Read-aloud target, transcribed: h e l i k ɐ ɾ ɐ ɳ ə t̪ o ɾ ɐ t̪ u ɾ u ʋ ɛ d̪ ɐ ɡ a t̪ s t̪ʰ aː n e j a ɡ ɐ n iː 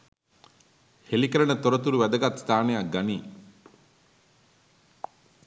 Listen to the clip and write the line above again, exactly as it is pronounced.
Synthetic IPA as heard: h e l i k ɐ ɾ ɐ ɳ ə t̪ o ɾ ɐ t̪ u ɾ u ʋ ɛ d̪ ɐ ɡ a t̪ s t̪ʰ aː n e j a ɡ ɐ n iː